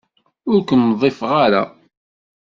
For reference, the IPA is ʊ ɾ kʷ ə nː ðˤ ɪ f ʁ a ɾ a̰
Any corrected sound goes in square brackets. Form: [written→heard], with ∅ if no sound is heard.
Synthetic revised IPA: ʊ ɾ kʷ ə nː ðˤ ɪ f ʁ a ɾ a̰